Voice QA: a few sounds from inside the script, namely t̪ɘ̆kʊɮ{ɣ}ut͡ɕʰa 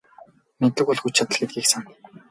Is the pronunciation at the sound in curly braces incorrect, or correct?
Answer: incorrect